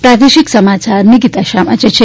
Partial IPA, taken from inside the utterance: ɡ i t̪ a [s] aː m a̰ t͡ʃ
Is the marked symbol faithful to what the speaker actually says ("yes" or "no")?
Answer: no